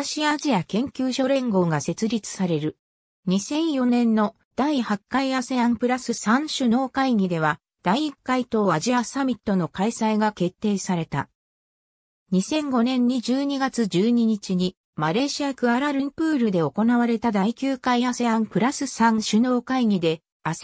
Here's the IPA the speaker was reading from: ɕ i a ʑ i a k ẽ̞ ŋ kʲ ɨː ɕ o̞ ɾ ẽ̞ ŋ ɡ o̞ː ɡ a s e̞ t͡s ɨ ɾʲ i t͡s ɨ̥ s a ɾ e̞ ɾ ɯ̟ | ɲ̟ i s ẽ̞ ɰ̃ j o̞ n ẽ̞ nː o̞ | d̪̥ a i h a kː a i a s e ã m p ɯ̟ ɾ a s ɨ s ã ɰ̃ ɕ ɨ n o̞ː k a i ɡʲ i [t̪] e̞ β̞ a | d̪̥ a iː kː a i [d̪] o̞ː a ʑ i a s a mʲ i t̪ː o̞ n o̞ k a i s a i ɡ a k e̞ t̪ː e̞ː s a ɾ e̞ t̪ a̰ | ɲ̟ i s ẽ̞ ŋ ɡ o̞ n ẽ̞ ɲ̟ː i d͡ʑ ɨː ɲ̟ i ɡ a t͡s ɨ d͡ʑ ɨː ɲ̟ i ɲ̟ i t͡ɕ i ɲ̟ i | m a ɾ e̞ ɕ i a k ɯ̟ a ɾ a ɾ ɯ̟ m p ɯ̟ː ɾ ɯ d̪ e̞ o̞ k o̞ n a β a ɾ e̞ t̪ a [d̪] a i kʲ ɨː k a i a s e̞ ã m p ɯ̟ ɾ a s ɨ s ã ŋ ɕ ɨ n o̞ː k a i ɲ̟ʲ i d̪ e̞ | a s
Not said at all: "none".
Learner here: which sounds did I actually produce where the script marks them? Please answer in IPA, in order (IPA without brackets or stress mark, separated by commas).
d̪, t̪, d̪